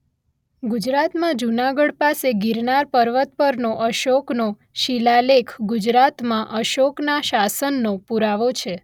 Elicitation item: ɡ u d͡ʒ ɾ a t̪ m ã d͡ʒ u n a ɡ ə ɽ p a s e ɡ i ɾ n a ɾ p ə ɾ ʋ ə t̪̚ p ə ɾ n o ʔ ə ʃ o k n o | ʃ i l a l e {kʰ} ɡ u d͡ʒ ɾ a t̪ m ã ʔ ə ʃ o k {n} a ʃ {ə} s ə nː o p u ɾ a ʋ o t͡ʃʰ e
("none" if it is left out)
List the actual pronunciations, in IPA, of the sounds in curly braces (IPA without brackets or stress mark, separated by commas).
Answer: kʰ, n, a